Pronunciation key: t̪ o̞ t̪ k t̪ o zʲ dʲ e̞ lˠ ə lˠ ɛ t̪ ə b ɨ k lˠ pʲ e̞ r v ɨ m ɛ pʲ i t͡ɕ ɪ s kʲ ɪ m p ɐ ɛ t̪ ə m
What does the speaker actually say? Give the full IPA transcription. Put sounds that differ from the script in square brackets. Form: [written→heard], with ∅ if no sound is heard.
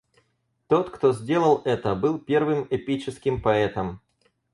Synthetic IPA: t̪ o̞ t̪ k t̪ o zʲ dʲ e̞ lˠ ə lˠ ɛ t̪ ə b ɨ [k→∅] lˠ pʲ e̞ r v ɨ m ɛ pʲ i t͡ɕ ɪ s kʲ ɪ m p ɐ ɛ t̪ ə m